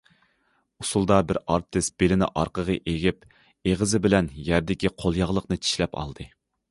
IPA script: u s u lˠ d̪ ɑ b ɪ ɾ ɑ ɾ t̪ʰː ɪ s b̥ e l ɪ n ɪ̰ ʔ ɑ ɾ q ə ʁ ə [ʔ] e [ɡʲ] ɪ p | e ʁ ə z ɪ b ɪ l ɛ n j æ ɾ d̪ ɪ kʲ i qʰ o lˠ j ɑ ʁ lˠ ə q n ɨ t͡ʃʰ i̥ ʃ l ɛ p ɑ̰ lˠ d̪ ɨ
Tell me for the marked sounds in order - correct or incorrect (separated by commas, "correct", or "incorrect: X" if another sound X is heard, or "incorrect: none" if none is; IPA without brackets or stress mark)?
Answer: correct, correct